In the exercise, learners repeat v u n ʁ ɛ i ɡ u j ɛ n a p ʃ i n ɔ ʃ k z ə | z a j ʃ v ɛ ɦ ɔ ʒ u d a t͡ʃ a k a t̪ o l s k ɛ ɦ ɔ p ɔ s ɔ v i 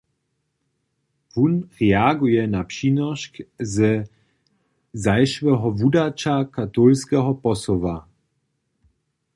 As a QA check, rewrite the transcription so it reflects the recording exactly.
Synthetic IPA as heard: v u n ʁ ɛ a ɡ u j ɛ n a p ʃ i n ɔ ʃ k z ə | z a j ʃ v ɛ ɦ ɔ v u d a t͡ʃ a k a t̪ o l s k ɛ ɦ ɔ p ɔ s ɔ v a

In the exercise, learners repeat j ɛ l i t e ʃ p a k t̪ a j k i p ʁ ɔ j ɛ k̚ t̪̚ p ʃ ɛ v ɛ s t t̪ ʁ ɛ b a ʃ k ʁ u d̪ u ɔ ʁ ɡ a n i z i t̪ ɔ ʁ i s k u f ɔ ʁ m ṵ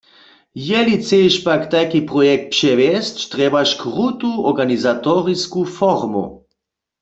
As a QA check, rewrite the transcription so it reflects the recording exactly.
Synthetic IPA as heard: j ɛ l i t͡s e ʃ p a k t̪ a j k i p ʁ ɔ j ɛ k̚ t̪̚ p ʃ ɛ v ɛ s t t̪ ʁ ɛ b a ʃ k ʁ u t̪ u ɔ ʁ ɡ a n i z a t̪ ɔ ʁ i s k u f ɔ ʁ m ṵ

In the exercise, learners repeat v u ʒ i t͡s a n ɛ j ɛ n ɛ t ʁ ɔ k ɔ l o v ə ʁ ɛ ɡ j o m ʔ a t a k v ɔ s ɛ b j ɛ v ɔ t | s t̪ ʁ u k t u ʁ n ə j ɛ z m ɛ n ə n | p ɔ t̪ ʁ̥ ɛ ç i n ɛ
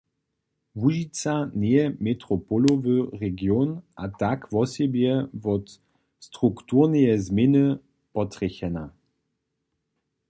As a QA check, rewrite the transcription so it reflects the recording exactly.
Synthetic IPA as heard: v u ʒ i t͡s a n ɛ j ɛ m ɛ t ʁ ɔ p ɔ l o v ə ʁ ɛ ɡ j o n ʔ a t a k v ɔ s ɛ b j ɛ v ɔ t | s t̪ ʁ u k t u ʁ n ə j ɛ z m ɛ n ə | p ɔ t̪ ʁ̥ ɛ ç ɛ n a

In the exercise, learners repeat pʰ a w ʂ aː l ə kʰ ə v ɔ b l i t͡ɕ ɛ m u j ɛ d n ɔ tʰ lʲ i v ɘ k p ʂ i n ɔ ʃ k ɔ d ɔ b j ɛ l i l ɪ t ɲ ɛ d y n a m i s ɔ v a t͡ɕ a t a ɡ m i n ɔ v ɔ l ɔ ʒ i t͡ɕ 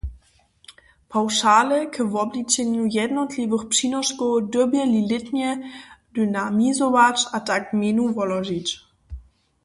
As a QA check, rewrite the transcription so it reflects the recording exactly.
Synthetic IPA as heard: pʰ a w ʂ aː l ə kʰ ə v ɔ b l i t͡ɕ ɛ ɲ u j ɛ d n ɔ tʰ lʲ i v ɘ x p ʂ i n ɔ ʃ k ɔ d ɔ b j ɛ l i l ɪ t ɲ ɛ d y n a m i z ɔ v a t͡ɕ a t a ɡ m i n u v ɔ l ɔ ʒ i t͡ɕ

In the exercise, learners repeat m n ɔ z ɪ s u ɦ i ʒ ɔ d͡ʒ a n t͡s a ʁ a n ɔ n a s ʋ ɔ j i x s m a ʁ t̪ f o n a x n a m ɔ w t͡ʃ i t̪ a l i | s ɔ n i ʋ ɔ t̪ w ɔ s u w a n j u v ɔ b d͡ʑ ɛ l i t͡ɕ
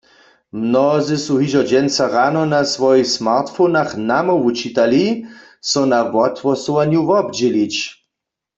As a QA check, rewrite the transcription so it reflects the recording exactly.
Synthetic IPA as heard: m n ɔ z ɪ s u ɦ i ʒ ɔ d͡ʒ ɛ n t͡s a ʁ a n ɔ n a s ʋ ɔ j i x s m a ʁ t̪ f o n a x n a m ɔ u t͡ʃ i t̪ a l i | s ɔ n a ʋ ɔ t̪ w ɔ s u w a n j u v ɔ b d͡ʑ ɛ l i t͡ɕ

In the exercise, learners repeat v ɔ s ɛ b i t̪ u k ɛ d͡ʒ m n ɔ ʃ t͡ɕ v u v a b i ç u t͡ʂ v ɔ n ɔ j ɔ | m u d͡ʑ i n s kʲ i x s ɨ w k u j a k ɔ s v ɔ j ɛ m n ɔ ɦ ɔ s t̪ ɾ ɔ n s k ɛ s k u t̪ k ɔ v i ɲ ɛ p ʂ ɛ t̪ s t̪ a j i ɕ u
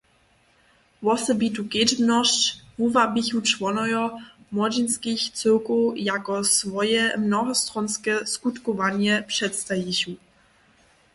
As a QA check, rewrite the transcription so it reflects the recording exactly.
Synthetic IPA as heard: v ɔ s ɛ b i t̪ u k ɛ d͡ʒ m n ɔ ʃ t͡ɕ v u v a b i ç u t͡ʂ v ɔ n ɔ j ɔ | m ɔ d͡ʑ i n s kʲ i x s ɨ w k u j a k ɔ s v ɔ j ɛ m n ɔ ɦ ɔ s t̪ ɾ ɔ n s k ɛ s k u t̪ k ɔ v a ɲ ɛ p ʂ ɛ t̪ s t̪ a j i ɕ u

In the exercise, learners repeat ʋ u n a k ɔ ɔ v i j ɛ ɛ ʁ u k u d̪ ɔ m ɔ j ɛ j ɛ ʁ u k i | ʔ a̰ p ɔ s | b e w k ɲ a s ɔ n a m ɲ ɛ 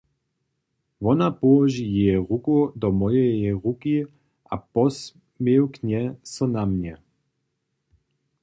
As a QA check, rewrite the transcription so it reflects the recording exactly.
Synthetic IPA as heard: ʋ ɔ n a p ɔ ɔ ʒ i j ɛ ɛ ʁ u k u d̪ ɔ m ɔ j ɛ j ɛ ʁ u k i | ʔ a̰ p ɔ s | m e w k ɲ ɛ s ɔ n a m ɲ ɛ

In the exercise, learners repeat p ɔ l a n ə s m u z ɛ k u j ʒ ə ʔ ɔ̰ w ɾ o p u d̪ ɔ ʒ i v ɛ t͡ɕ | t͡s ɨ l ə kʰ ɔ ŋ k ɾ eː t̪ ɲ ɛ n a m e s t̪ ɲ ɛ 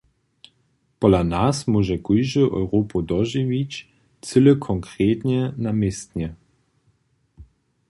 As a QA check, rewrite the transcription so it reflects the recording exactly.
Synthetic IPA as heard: p ɔ l a n a s m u ʒ ɛ k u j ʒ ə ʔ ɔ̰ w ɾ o p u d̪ ɔ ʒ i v i t͡ɕ | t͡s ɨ l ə kʰ ɔ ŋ k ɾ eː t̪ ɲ ɛ n a m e s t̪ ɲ ɛ

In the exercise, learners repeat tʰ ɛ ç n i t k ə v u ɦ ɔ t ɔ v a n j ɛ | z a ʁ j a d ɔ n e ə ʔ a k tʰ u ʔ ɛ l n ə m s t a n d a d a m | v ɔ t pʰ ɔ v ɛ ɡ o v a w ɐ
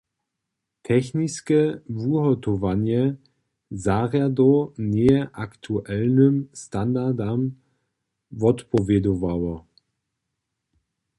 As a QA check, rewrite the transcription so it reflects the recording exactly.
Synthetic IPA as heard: tʰ ɛ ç n i s k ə v u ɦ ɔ t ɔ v a n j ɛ | z a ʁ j a d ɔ n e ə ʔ a k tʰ u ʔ ɛ l n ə m s t a n d a d a m | v ɔ t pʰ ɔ v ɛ d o v a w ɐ

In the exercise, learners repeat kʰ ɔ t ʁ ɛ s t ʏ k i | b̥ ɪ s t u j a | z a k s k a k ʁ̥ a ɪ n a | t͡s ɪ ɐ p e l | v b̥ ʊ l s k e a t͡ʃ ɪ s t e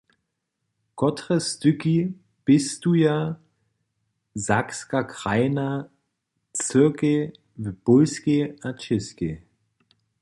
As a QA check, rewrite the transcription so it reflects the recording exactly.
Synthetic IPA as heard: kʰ ɔ t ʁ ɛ s t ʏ k i | b̥ ɪ s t u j a | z a k s k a k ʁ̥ a ɪ n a | t͡s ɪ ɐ k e | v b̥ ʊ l s k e a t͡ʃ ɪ s k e

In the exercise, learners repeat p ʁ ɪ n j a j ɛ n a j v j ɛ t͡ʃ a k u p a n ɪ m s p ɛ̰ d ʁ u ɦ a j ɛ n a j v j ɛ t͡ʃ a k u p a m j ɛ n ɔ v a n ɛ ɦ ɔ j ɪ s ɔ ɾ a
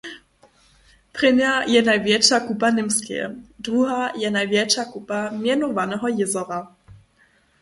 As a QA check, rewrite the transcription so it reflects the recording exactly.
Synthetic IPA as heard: p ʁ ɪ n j a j ɛ n a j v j ɛ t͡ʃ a k u p a n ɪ m s k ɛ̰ d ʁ u ɦ a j ɛ n a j v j ɛ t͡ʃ a k u p a m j ɛ n ɔ v a n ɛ ɦ ɔ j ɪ z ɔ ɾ a

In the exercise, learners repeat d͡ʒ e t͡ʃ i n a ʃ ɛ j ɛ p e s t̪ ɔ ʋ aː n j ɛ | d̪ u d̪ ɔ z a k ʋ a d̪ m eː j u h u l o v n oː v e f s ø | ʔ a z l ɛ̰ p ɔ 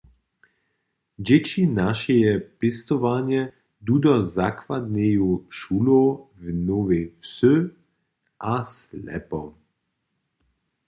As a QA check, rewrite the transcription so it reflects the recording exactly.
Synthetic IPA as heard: d͡ʒ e t͡ʃ i n a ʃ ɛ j ɛ p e s t̪ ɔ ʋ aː n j ɛ | d̪ u d̪ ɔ z a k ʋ a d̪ n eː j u ʃ u l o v n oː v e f s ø | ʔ a s l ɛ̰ p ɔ

